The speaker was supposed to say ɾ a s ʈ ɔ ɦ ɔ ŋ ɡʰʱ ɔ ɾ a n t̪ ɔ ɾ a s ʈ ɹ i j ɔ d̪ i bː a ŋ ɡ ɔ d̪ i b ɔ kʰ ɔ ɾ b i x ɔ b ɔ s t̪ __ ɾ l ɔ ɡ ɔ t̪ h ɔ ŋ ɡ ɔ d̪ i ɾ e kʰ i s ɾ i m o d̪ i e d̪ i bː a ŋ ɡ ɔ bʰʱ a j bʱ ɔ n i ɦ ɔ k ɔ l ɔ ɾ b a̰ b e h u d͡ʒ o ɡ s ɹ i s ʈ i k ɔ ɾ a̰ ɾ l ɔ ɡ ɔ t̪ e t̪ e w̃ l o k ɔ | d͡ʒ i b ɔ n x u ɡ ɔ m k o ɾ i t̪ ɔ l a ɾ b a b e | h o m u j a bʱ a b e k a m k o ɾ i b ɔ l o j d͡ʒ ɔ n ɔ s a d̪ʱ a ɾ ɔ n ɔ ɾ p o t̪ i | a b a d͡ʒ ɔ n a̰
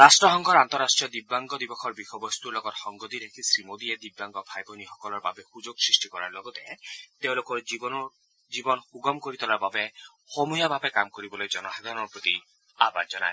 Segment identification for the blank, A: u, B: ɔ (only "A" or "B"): A